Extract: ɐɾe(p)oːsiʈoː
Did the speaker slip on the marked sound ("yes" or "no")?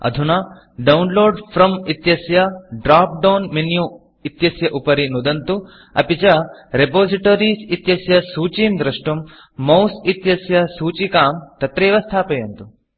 no